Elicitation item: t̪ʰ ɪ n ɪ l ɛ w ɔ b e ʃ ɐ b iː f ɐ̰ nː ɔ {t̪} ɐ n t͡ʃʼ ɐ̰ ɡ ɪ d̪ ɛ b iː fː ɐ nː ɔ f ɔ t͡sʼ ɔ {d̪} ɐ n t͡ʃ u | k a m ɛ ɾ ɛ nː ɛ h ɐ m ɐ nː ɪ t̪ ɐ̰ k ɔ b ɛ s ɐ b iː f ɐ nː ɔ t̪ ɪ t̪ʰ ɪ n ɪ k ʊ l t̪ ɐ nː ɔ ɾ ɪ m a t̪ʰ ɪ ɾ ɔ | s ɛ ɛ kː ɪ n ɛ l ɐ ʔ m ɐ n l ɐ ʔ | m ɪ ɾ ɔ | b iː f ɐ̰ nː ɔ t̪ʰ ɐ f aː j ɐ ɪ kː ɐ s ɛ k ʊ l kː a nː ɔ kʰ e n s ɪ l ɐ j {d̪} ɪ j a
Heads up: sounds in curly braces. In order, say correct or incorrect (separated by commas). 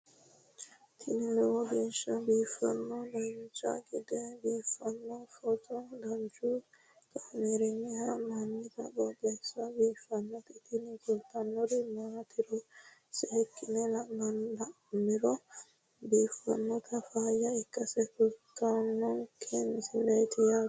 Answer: incorrect, correct, incorrect